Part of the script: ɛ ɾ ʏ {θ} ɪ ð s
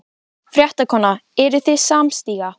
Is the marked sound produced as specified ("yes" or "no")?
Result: yes